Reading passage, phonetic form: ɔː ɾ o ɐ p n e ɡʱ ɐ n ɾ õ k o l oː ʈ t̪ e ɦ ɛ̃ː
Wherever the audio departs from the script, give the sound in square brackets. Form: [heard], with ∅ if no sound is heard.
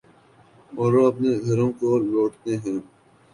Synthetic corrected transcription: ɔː ɾ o ɐ p n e ɡʱ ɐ [∅] ɾ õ k o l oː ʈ t̪ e ɦ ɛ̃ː